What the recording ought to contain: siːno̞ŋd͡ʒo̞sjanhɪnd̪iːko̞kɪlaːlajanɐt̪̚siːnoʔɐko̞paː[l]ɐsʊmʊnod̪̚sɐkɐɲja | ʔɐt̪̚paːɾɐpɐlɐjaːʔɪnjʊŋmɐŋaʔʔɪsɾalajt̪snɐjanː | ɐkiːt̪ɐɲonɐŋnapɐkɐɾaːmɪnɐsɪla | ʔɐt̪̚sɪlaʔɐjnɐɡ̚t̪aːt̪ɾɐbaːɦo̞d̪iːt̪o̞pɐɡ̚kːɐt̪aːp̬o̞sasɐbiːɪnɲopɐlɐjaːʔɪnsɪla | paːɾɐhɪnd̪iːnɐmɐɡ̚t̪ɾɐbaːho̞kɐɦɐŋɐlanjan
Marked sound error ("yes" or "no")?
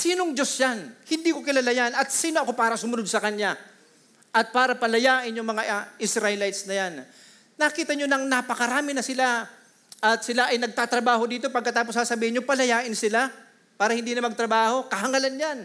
yes